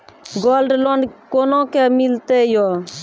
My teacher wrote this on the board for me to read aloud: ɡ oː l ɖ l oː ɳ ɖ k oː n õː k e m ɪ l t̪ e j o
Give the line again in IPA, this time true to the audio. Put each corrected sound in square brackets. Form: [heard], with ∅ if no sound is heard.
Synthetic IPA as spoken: ɡ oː l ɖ l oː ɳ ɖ k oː n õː k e m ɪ l t̪ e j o